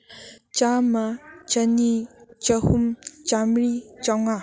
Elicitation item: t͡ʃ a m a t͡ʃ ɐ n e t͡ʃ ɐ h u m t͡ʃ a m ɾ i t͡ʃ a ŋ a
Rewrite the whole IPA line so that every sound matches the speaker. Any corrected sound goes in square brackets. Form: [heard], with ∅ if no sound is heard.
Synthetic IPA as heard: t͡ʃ a m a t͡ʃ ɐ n [i] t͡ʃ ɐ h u m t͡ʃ a m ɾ i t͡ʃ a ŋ a